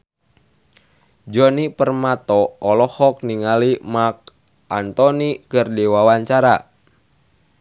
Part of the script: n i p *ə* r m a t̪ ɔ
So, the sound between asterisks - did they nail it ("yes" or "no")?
yes